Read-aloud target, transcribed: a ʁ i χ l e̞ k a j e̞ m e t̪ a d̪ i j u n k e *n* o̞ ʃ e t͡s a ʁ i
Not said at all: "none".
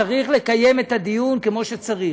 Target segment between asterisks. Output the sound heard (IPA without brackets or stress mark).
m